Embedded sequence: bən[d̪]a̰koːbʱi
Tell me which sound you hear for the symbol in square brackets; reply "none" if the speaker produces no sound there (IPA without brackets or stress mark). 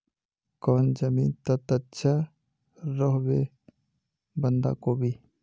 d̪